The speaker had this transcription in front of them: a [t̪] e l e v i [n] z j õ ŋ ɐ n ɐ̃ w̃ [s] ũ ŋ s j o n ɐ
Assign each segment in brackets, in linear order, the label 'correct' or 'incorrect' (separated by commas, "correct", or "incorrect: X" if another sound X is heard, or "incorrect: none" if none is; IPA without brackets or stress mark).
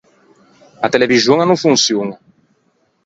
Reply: correct, incorrect: none, incorrect: f